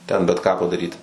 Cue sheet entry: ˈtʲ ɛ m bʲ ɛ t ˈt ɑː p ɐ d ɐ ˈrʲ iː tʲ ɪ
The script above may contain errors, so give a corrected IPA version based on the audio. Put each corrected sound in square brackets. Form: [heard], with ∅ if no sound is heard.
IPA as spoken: ˈtʲ ɛ [n] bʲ ɛ t [ˈk] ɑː p ɐ d ɐ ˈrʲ iː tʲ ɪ